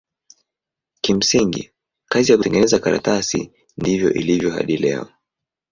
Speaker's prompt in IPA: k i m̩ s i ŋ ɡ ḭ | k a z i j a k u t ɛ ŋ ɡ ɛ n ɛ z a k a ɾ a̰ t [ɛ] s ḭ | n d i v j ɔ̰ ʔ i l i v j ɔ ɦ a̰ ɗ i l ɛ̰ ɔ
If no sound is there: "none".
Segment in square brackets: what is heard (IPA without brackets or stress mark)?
a